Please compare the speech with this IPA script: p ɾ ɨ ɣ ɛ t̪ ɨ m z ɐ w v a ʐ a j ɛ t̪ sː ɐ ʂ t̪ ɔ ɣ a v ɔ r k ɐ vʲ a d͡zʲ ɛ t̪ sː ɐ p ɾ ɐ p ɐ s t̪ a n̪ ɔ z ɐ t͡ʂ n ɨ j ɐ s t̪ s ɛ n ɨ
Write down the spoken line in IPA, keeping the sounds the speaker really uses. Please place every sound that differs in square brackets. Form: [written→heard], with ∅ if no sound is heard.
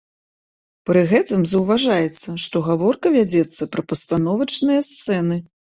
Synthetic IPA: p ɾ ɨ ɣ ɛ t̪ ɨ m z ɐ w v a ʐ a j ɛ t̪ sː ɐ ʂ t̪ ɔ ɣ a v ɔ r k ɐ vʲ a d͡zʲ ɛ t̪ sː ɐ p ɾ ɐ p ɐ s t̪ a n̪ ɔ [z→v] ɐ t͡ʂ n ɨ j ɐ s t̪ s ɛ n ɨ